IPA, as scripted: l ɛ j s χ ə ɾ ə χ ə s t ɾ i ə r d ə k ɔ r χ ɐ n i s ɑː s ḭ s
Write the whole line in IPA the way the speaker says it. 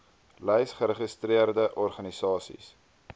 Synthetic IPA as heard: l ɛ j s χ ə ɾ ə χ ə s t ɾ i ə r d ə ʔ ɔ r χ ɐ n i s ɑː s ḭ s